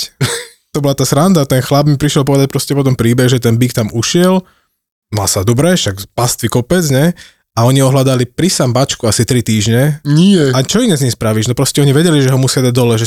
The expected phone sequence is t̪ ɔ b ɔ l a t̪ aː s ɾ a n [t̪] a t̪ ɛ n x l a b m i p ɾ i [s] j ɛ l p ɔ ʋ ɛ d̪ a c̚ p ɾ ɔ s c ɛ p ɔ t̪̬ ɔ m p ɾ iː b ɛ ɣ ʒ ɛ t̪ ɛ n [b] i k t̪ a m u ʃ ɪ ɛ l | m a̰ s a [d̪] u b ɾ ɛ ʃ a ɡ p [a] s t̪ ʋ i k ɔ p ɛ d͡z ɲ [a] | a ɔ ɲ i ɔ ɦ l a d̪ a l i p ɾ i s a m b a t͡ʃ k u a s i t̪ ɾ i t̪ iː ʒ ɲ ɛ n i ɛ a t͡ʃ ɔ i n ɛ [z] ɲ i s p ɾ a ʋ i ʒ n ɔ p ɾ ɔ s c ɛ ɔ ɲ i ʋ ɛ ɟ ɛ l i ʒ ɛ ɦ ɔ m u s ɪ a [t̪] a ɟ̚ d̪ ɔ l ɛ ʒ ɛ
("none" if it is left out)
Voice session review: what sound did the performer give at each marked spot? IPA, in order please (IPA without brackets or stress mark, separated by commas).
d̪, ʃ, b, d̪, a, ɛ, z, d̪